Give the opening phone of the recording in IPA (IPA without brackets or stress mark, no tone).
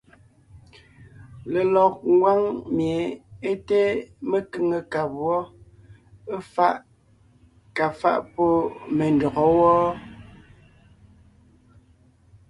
l